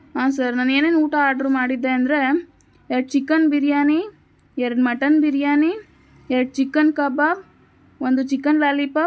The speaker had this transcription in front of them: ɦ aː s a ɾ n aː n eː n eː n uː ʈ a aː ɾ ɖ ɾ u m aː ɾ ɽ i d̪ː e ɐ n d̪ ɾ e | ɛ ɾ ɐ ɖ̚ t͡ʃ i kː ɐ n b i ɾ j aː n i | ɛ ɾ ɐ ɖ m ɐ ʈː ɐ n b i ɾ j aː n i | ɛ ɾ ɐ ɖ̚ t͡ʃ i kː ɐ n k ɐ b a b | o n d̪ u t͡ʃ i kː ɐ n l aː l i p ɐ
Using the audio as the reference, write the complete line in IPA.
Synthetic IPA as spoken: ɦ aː s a ɾ n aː n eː n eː n uː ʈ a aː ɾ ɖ ɾ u m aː ɽ i d̪ː e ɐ n d̪ ɾ e | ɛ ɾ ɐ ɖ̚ t͡ʃ i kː ɐ n b i ɾ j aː n i | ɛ ɾ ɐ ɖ m ɐ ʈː ɐ n b i ɾ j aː n i | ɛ ɾ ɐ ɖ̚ t͡ʃ i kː ɐ n k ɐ b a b | o n d̪ u t͡ʃ i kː ɐ n l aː l i p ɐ